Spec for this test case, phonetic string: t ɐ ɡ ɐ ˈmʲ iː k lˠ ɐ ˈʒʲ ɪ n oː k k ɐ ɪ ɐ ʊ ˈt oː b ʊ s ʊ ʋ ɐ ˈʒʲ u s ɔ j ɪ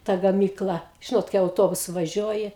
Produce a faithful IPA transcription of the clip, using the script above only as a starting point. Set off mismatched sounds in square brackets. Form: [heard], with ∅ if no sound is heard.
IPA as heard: t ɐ ɡ ɐ ˈmʲ iː k lˠ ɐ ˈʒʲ ɪ n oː [t] k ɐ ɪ ɐ ʊ ˈt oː b ʊ s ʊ ʋ ɐ ˈʒʲ u [∅] ɔ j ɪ

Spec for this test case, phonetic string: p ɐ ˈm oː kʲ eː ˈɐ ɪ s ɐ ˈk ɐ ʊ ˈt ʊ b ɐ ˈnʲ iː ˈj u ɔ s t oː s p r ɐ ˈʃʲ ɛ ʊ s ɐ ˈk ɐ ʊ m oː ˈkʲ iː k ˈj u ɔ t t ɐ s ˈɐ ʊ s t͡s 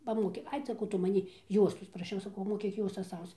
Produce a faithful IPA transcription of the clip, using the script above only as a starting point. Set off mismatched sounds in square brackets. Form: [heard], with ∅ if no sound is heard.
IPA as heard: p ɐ ˈm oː kʲ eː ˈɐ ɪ s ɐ ˈk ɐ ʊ ˈt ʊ [m] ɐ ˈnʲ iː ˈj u ɔ s t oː s p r ɐ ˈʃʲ ɛ ʊ s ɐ ˈk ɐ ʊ m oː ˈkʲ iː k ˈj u ɔ [s] t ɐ s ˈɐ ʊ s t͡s

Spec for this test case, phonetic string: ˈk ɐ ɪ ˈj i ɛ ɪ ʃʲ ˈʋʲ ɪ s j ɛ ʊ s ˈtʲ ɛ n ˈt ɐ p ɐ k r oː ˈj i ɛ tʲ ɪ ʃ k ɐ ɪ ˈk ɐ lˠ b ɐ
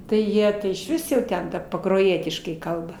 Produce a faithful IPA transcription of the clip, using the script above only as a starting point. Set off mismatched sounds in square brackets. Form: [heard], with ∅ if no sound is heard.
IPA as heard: [ˈt] ɐ ɪ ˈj i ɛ ɪ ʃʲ ˈʋʲ ɪ s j ɛ ʊ [∅] ˈtʲ ɛ n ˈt ɐ p ɐ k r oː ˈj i ɛ tʲ ɪ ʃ k ɐ ɪ ˈk ɐ lˠ b ɐ

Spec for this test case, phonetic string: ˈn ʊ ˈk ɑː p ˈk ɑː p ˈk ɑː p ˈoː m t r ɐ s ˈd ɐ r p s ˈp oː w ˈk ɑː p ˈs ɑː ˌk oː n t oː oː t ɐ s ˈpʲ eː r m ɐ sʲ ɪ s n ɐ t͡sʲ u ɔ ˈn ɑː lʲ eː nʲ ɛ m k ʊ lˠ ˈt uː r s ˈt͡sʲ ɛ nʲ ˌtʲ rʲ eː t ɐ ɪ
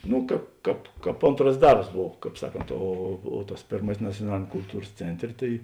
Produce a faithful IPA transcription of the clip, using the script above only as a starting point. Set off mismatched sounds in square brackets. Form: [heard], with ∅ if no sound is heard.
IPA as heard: ˈn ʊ ˈk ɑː p ˈk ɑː p ˈk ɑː p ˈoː [n] t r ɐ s ˈd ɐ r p s [ˈb] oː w ˈk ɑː p ˈs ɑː ˌk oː n t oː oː t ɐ s ˈpʲ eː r m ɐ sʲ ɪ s n ɐ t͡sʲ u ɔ ˈn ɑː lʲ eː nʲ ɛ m k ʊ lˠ ˈt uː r s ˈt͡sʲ ɛ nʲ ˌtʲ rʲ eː t ɐ ɪ

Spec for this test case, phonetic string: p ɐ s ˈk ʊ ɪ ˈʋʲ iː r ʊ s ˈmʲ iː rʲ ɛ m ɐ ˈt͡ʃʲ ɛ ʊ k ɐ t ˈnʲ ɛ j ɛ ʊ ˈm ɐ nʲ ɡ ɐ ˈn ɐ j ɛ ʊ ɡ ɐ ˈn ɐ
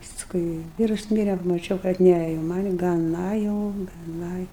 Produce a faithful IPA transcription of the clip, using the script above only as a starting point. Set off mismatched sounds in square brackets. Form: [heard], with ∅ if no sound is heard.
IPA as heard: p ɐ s ˈk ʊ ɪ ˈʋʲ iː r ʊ s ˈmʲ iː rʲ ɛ m ɐ ˈt͡ʃʲ ɛ ʊ k ɐ t ˈnʲ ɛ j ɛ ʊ ˈm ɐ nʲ ɡ ɐ ˈn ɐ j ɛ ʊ ɡ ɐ ˈn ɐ

